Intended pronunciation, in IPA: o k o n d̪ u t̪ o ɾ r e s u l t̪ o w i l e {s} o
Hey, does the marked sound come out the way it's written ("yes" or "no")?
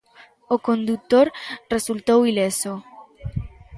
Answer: yes